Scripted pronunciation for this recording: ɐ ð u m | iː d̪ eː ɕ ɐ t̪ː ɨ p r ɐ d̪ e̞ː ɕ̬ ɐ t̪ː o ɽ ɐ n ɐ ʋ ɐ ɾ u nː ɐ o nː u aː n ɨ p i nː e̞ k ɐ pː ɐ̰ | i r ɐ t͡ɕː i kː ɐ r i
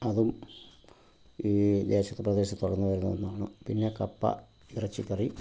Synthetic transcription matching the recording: ɐ ð u m | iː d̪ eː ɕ ɐ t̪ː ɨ p r ɐ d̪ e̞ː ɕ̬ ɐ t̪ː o ɽ ɐ nː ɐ ʋ ɐ ɾ u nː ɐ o nː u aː ɳ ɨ p i nː e̞ k ɐ pː ɐ̰ | i r ɐ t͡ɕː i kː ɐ r i